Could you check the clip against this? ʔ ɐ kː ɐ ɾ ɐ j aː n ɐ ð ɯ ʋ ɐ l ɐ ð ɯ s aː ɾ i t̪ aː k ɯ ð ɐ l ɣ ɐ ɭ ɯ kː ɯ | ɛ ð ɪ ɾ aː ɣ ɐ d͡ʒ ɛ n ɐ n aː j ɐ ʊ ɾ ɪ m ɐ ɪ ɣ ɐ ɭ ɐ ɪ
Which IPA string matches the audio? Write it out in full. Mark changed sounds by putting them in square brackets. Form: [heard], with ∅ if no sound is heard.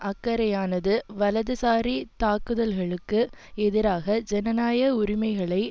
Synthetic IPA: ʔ ɐ kː ɐ ɾ ɐ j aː n ɐ ð ɯ ʋ ɐ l ɐ ð ɯ s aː ɾ i t̪ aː k ɯ ð ɐ l ɣ ɐ ɭ ɯ kː ɯ | ɛ ð ɪ ɾ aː ɣ ɐ d͡ʒ ɛ n ɐ n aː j ɐ ʊ ɾ ɪ m ɐ ɪ ɣ ɐ ɭ ɐ ɪ